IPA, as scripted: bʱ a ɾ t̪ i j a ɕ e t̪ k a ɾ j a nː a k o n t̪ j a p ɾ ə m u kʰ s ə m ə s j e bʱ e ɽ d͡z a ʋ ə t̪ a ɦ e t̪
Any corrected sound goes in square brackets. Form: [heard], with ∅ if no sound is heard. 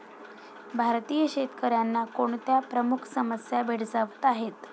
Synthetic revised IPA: bʱ a ɾ t̪ i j [ə] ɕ e t̪ k [ə] ɾ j a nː a k o [ɳ] t̪ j a p ɾ ə m u kʰ s ə m ə s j [a] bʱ e ɽ d͡z a ʋ ə t̪ a ɦ e t̪